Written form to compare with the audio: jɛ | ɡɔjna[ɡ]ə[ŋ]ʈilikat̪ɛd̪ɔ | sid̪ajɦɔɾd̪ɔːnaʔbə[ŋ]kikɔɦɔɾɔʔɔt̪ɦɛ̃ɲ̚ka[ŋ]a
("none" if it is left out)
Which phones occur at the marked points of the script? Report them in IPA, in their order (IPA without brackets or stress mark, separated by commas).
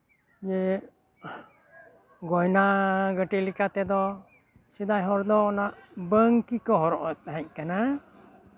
ɡ, none, ŋ, n